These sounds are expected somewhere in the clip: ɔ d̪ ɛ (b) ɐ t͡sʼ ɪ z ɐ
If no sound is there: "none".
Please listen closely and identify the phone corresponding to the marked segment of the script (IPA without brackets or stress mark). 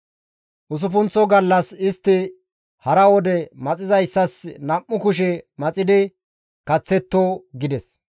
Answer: m